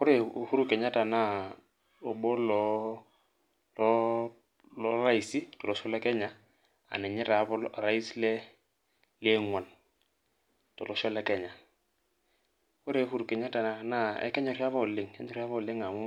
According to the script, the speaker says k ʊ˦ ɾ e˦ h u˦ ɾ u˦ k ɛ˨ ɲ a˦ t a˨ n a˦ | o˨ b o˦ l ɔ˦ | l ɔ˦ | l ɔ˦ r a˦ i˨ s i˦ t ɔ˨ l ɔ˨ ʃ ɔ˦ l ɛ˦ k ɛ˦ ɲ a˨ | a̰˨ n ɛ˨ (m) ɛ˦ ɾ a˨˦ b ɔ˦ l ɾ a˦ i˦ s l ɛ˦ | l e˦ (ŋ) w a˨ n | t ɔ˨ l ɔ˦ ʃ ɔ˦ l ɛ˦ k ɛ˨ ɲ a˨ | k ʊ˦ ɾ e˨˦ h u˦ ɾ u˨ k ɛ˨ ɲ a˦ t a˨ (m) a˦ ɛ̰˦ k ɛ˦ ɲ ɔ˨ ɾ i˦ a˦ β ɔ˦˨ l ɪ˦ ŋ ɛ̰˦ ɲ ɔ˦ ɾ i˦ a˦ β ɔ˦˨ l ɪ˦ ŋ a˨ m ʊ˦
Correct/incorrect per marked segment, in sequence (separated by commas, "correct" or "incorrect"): incorrect, correct, incorrect